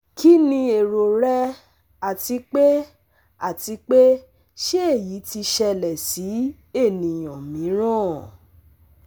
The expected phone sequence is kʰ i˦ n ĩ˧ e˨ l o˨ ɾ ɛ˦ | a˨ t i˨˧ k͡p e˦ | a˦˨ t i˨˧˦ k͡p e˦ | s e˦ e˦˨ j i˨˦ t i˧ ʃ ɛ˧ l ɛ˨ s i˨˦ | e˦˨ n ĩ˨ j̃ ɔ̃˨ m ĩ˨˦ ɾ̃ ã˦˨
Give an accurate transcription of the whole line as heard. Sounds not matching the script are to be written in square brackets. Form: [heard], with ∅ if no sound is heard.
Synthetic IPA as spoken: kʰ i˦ n ĩ˧ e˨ [ɾ] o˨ ɾ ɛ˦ | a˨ t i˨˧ k͡p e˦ | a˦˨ t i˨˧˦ k͡p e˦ | [ʃ] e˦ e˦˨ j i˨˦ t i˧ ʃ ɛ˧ l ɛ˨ s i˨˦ | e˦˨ n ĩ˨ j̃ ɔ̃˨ m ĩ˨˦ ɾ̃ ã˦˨